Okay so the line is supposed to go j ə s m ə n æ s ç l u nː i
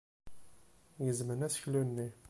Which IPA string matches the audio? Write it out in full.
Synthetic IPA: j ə z m ə n æ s ç l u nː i